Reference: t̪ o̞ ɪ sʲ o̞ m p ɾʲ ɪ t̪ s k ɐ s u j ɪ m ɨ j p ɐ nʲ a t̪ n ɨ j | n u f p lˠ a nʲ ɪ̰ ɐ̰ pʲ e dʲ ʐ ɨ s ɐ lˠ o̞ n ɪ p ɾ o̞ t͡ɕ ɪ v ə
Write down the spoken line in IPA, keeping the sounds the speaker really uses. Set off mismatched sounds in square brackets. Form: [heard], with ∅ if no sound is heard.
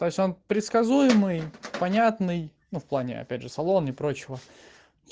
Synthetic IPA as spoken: t̪ o̞ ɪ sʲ o̞ [n] p ɾʲ ɪ t̪ s k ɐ [z] u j ɪ m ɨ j p ɐ nʲ a t̪ n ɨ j | n u f p lˠ a nʲ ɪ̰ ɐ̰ pʲ [æ] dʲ ʐ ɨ s ɐ lˠ o̞ n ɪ p ɾ o̞ t͡ɕ ɪ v ə